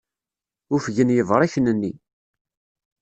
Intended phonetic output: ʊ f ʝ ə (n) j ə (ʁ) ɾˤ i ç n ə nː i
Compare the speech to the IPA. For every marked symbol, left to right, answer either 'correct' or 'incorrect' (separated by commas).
correct, incorrect